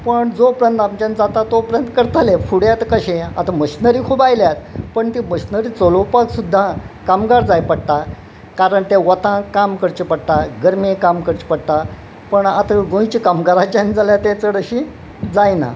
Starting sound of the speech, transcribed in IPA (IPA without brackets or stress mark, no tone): p